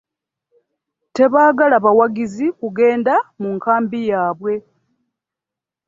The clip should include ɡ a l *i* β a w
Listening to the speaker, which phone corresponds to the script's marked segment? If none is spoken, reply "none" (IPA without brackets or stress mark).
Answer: a